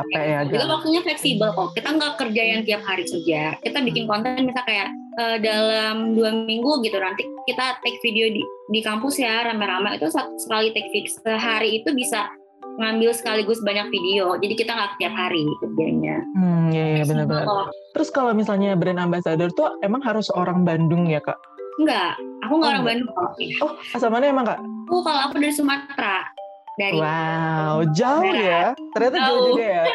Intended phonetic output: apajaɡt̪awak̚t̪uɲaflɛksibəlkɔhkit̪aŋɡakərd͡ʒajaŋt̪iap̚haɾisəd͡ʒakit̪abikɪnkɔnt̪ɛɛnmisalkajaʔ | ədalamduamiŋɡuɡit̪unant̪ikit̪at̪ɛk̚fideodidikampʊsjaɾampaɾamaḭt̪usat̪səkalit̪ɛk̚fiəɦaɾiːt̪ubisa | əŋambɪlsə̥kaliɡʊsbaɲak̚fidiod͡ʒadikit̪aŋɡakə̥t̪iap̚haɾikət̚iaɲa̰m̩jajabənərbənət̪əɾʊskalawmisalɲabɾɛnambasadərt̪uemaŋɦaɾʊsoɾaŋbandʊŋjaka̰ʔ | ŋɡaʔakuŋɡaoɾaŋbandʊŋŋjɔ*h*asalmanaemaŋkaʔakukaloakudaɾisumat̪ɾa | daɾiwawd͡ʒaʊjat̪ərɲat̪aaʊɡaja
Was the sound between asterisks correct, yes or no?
yes